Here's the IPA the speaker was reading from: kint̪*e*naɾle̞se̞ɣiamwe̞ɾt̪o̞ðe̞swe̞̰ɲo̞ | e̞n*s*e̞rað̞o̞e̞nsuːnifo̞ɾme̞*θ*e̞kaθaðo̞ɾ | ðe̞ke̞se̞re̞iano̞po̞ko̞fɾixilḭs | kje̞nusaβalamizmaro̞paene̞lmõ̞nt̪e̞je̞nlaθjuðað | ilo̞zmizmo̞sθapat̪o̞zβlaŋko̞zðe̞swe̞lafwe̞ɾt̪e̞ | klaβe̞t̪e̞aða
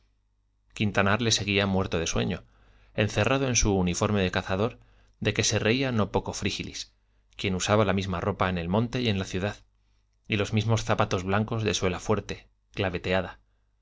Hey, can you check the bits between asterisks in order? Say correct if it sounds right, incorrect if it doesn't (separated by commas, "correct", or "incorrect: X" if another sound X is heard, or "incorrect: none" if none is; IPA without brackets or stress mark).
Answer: incorrect: a, incorrect: θ, incorrect: ð